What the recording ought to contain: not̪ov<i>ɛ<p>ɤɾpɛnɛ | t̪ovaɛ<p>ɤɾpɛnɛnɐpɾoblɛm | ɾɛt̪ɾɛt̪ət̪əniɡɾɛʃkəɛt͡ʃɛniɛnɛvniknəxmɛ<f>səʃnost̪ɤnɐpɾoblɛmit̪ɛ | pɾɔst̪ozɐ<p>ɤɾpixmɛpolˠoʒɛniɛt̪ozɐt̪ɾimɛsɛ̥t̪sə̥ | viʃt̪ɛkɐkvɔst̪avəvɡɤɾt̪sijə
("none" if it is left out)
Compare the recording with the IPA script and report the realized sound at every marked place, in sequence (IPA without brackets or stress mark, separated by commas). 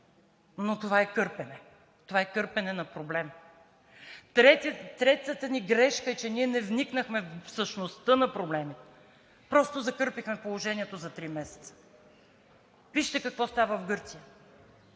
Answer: a, k, k, f, k